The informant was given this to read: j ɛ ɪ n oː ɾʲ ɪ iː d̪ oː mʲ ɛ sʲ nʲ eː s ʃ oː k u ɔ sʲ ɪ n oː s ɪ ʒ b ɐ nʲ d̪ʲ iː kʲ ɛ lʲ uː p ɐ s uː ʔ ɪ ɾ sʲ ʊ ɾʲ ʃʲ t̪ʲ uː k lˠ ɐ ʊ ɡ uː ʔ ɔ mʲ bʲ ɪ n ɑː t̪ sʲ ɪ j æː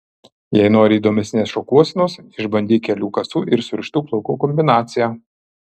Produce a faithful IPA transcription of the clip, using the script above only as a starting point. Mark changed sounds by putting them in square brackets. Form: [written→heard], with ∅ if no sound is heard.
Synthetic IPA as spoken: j ɛ ɪ n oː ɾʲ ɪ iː d̪ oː mʲ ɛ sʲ nʲ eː s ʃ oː k u ɔ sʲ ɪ n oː s ɪ ʒ b ɐ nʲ d̪ʲ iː kʲ ɛ lʲ uː [p→k] ɐ s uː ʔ ɪ ɾ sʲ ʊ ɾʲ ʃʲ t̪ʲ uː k lˠ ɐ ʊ [ɡ→k] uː [ʔ→k] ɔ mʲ bʲ ɪ n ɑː t̪ sʲ ɪ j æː